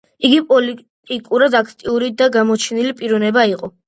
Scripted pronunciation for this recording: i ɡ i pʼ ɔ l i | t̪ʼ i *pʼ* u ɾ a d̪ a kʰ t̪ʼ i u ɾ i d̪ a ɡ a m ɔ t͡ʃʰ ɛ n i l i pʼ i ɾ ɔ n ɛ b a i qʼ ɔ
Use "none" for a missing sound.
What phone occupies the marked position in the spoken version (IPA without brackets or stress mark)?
kʼ